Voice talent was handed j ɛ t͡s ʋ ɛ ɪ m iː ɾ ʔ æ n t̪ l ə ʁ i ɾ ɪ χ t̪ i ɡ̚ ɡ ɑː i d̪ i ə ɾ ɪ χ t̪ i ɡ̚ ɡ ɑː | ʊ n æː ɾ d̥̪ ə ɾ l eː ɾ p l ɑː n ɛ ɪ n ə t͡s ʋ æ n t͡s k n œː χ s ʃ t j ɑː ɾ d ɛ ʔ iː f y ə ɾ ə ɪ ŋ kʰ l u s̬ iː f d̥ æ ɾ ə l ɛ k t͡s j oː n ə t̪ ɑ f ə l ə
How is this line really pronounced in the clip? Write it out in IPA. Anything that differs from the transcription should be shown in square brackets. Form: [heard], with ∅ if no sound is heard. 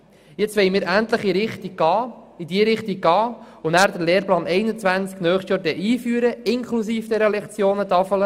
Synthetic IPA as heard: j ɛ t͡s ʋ ɛ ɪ m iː ɾ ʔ æ n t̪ l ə [χ] i ɾ ɪ χ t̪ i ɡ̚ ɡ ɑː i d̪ i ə ɾ ɪ χ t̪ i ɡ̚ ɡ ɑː | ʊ n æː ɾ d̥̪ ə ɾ l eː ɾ p l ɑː n ɛ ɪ n ə t͡s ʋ æ n t͡s k n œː χ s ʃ t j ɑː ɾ d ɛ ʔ iː f y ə ɾ ə ɪ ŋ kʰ l u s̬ iː f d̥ [ɛ] ɾ ə l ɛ k t͡s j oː n ə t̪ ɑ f ə l ə

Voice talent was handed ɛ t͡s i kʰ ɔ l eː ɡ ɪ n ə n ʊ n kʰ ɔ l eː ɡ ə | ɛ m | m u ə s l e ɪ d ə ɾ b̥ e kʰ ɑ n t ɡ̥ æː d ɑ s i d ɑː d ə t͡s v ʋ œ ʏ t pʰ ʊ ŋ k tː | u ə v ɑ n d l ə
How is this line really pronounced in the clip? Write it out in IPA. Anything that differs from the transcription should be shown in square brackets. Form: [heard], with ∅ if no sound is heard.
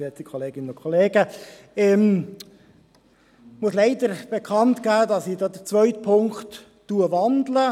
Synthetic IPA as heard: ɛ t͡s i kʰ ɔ l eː ɡ ɪ n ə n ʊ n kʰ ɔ l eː ɡ ə | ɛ m | m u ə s l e ɪ d ə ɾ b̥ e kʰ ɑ n t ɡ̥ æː d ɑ s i d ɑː d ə t͡s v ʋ œ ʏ t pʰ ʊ ŋ k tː | u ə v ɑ n d l ə

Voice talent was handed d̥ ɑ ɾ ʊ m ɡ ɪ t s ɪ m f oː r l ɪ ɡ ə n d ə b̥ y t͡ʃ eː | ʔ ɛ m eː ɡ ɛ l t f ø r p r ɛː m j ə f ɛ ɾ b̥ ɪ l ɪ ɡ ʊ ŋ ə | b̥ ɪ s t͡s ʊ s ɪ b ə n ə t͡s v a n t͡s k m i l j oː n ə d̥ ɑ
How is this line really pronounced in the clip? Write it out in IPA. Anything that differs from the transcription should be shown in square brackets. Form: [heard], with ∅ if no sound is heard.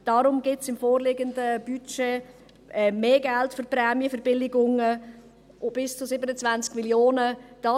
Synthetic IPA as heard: d̥ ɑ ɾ ʊ m ɡ ɪ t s ɪ m f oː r l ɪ ɡ ə n d ə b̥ y t͡ʃ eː | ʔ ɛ m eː ɡ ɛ l t f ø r p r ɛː m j ə f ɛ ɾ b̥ ɪ l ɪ ɡ ʊ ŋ ə | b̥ ɪ s t͡s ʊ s ɪ b ə n ə t͡s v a n t͡s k m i l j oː n ə d̥ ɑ

